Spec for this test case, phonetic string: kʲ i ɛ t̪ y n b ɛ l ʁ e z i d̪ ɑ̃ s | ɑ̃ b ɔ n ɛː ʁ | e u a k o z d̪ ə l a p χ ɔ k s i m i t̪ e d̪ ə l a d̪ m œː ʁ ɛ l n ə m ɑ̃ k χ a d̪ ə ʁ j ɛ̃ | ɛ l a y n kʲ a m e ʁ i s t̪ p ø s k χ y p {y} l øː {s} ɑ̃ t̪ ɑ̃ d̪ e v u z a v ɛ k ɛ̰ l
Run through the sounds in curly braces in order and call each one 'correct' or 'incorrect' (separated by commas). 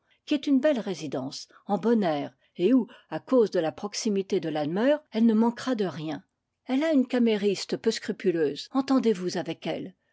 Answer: correct, incorrect